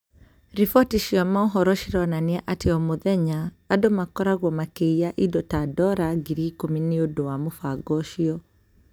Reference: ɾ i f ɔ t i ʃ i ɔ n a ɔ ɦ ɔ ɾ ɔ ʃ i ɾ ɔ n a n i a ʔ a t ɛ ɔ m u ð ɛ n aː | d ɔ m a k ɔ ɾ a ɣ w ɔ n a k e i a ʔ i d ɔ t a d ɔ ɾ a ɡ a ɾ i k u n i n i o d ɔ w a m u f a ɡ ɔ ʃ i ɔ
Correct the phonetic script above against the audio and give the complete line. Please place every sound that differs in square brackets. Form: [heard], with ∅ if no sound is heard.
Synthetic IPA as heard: ɾ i f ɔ t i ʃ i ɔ [m] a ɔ ɦ ɔ ɾ ɔ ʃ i ɾ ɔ n a n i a ʔ a t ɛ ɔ m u ð ɛ [ɲ] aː | d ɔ m a k ɔ ɾ a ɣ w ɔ [m] a k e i a ʔ i d ɔ t a d ɔ ɾ a ɡ [i] ɾ i k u [m] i n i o d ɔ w a m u f a ɡ ɔ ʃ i ɔ